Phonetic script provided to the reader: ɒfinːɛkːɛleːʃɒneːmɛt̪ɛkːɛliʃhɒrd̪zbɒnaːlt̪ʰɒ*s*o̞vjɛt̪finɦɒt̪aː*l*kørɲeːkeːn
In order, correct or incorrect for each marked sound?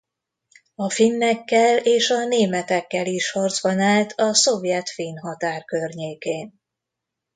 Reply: correct, incorrect: r

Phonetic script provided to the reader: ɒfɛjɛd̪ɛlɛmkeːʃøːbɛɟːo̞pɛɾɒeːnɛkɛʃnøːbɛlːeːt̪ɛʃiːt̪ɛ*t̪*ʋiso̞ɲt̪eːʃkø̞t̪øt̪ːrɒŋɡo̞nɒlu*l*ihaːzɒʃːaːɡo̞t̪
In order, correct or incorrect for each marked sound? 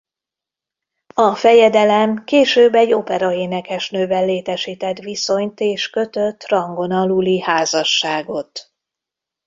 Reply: correct, correct

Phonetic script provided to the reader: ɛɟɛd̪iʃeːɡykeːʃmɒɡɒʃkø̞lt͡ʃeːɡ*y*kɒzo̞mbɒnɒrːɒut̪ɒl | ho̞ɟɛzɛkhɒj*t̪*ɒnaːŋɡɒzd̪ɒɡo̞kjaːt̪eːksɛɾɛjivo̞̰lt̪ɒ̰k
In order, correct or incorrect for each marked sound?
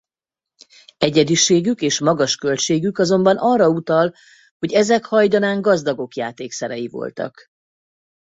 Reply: correct, incorrect: d̪

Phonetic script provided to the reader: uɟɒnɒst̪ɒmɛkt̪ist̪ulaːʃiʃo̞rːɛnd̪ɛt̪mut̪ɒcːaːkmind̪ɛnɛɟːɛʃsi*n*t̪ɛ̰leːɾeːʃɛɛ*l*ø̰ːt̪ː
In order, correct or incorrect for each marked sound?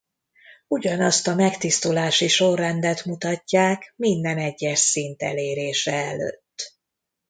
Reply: correct, correct

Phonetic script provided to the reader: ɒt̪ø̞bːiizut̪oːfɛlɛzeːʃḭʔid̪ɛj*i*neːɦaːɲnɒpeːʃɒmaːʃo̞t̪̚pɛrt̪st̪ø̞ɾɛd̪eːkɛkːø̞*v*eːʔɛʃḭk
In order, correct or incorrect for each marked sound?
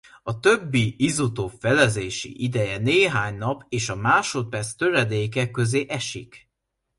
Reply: incorrect: ɛ, incorrect: z

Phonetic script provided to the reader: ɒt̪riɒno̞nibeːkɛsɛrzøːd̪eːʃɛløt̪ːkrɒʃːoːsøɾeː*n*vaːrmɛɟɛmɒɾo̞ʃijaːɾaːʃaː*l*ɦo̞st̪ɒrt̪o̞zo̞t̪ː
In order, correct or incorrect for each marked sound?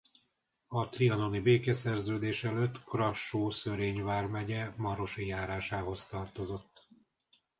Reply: incorrect: ɲ, incorrect: none

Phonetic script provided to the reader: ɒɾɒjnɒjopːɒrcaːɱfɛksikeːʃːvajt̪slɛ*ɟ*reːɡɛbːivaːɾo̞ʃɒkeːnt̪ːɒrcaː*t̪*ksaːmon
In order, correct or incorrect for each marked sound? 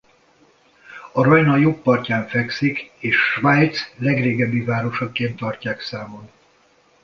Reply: incorrect: ɡ, incorrect: none

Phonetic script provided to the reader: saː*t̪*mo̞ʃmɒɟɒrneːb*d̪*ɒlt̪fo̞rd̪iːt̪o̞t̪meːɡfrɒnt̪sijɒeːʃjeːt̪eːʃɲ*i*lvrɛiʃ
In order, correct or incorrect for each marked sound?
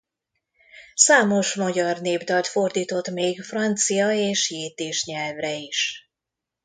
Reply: incorrect: none, correct, incorrect: ɛ

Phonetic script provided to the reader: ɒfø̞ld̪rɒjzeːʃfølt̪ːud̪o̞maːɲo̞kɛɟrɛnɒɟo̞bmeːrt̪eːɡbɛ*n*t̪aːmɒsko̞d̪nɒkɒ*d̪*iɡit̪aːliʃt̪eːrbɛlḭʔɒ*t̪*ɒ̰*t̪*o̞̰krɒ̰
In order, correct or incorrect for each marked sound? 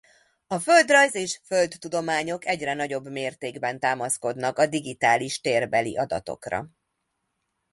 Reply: correct, correct, incorrect: d̪, correct

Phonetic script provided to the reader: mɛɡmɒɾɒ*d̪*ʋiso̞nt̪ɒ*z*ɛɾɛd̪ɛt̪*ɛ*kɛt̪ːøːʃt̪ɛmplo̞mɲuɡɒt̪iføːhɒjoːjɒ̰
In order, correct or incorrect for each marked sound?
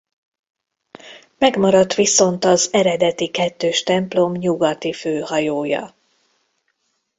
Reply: incorrect: t̪, correct, incorrect: i

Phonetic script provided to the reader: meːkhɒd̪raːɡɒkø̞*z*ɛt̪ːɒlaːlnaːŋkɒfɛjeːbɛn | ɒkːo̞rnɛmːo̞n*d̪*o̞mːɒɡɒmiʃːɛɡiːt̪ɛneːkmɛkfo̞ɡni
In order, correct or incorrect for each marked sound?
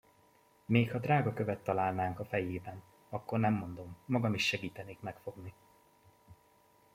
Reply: incorrect: v, correct

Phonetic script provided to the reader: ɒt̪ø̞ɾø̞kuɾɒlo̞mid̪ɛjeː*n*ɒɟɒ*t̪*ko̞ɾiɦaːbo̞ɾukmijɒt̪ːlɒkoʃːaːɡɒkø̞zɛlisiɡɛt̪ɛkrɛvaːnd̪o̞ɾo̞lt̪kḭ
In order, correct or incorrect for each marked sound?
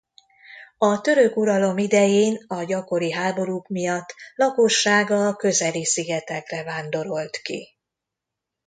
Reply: correct, incorrect: none

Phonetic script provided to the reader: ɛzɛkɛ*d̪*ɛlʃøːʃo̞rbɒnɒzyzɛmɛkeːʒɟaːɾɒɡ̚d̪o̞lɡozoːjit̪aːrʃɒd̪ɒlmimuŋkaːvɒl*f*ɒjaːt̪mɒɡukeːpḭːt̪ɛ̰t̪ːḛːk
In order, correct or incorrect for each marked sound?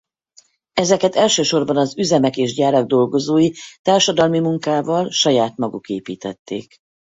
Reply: incorrect: t̪, incorrect: ʃ

